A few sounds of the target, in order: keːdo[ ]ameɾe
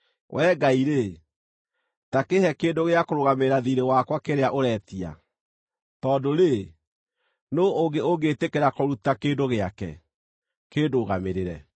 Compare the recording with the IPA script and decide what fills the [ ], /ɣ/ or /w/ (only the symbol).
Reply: ɣ